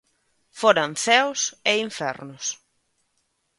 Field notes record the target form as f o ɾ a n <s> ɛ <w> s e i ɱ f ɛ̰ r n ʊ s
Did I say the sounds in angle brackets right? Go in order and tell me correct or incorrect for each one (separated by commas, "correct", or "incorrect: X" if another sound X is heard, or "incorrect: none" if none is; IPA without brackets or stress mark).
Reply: incorrect: θ, correct